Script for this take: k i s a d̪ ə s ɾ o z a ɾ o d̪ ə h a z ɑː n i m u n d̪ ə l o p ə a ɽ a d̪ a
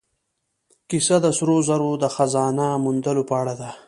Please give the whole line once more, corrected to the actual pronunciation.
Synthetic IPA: k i s a d̪ ə s ɾ o z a ɾ o d̪ ə x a z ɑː n a m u n d̪ ə l o p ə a ɽ a d̪ a